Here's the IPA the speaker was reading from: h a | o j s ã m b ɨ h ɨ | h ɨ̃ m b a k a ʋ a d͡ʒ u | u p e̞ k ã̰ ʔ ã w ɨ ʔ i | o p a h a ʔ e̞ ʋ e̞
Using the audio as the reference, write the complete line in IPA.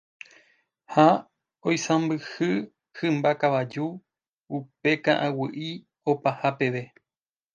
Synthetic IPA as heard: h a | o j s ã m b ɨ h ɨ | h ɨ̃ m b a k a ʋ a d͡ʒ u | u p e̞ k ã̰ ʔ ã w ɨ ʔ i | o p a h a p e̞ ʋ e̞